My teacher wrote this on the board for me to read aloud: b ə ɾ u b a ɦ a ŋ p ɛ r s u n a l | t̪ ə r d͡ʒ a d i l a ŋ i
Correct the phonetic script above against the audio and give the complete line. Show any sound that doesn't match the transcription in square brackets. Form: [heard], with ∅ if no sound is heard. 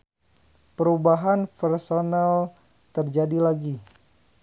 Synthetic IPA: [p] ə ɾ u b a ɦ a [n] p ɛ r s [o] n a l | t̪ ə r d͡ʒ a d i l a [ɡ] i